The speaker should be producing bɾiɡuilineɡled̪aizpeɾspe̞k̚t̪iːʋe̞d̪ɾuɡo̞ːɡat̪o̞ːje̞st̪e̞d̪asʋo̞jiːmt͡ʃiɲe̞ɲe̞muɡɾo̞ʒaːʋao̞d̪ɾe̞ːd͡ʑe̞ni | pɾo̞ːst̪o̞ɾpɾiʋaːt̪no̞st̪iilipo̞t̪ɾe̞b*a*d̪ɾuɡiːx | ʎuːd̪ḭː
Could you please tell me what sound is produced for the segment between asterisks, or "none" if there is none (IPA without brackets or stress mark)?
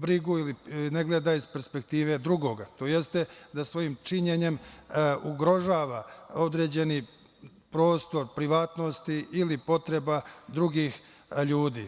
a